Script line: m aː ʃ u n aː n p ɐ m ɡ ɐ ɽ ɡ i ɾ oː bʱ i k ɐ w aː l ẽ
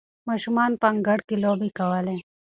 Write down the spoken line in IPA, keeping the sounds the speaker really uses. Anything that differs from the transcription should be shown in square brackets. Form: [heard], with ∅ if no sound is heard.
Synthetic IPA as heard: m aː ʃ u [m] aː n p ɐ [ŋ] ɡ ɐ ɽ [k] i [l] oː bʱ i k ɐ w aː l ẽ